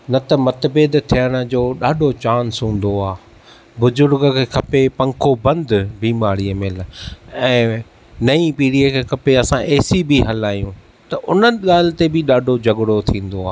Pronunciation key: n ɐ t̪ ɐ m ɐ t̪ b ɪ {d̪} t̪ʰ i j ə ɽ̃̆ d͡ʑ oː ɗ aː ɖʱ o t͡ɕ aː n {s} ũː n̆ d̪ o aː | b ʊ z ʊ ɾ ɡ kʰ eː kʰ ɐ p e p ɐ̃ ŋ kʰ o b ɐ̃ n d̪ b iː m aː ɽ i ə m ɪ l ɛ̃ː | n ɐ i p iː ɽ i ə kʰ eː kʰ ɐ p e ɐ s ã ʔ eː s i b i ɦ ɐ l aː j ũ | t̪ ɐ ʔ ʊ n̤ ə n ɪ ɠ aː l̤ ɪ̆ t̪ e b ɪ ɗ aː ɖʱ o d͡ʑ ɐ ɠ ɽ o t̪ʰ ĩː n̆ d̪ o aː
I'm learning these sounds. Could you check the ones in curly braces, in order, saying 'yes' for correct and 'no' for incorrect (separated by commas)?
yes, yes